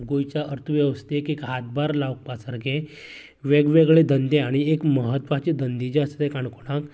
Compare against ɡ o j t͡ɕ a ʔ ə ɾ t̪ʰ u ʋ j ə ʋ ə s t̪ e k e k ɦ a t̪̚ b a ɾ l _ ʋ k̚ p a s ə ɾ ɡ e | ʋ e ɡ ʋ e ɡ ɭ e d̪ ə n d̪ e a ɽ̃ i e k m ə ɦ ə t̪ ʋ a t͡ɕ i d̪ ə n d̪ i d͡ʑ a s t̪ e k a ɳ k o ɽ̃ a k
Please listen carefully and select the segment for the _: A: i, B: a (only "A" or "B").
B